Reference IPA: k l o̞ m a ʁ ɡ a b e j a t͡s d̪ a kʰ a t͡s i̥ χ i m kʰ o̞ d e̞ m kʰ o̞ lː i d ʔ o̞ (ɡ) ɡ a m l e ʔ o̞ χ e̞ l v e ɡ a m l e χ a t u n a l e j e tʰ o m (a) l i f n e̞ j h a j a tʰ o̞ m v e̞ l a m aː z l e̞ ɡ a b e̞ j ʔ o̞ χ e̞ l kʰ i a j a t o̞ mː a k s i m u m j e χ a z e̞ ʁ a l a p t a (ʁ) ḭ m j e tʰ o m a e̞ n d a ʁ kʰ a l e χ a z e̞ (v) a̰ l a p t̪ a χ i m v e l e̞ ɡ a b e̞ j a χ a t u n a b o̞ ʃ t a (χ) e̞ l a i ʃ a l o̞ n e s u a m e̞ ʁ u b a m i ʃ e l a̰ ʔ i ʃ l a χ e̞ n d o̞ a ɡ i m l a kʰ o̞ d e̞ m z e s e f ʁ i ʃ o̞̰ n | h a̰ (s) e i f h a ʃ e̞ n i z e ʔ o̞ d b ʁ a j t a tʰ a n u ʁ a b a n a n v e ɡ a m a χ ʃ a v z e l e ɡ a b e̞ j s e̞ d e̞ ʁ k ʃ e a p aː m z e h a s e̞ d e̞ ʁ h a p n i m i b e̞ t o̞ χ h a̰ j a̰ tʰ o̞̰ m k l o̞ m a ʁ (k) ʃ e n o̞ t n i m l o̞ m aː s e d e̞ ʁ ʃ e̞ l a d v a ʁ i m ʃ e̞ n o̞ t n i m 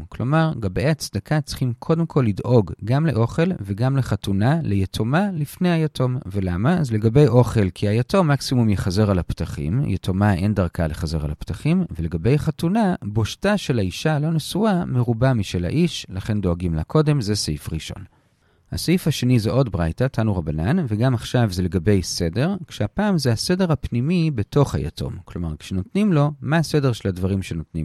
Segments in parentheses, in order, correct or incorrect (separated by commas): correct, correct, incorrect, incorrect, incorrect, correct, correct